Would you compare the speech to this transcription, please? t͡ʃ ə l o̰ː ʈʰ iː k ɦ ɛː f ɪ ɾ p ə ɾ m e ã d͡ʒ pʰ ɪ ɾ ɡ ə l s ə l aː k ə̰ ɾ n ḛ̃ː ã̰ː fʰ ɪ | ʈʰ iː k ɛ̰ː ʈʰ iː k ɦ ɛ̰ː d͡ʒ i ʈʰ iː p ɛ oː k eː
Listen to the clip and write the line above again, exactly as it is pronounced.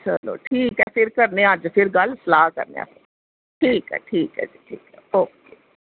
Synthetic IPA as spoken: t͡ʃ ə l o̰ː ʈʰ iː k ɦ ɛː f ɪ ɾ k ə ɾ n e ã d͡ʒ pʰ ɪ ɾ ɡ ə l s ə l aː k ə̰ ɾ n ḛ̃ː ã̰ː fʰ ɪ | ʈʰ iː k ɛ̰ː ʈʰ iː k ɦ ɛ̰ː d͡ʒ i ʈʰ iː k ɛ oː k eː